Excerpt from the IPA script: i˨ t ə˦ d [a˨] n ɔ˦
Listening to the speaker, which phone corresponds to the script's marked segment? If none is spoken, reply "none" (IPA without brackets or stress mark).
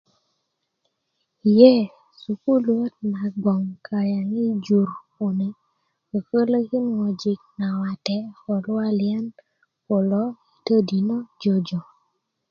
i˨